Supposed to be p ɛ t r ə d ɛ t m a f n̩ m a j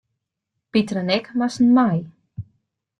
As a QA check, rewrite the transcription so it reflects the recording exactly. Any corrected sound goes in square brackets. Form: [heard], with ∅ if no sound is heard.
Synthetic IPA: p [i] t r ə [n] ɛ [k] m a [s] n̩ m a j